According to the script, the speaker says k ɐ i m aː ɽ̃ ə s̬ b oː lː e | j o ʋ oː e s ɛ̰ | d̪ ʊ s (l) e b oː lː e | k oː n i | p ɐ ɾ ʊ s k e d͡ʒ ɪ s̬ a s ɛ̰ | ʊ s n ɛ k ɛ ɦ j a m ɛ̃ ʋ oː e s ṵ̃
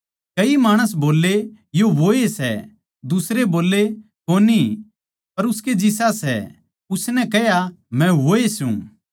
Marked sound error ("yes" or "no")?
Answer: yes